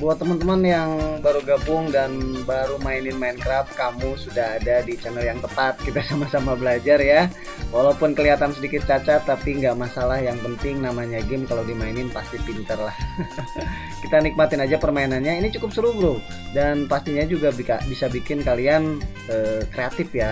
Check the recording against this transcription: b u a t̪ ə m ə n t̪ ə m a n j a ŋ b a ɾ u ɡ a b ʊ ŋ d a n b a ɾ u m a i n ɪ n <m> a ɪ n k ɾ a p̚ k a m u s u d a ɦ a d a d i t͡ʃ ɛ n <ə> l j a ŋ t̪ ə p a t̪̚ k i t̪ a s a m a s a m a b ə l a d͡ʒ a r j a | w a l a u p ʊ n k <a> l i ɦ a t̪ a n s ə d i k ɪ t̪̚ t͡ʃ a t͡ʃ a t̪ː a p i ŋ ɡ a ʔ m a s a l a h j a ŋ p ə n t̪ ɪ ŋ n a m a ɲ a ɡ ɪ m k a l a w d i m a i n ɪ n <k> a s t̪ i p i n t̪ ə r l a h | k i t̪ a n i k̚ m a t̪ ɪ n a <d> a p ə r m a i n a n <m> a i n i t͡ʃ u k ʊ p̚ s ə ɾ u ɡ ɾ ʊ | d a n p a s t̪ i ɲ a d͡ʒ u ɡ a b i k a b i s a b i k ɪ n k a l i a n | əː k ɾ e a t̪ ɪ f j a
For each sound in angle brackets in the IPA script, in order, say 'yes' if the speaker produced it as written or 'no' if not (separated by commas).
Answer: yes, yes, no, no, no, no